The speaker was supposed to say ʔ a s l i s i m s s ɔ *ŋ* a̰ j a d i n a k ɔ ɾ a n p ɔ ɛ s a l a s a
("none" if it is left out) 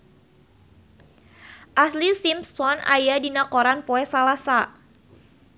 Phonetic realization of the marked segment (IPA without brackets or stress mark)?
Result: n